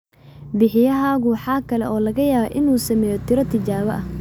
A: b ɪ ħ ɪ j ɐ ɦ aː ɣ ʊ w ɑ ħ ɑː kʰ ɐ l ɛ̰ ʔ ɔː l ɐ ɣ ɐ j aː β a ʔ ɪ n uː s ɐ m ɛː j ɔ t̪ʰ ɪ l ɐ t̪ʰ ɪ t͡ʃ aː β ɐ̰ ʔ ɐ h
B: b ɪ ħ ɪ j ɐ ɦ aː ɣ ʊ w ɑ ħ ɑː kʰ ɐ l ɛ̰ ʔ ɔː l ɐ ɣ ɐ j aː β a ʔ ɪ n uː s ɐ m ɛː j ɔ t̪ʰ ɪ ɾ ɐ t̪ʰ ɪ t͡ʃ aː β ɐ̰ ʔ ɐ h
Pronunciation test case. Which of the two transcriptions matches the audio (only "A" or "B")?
B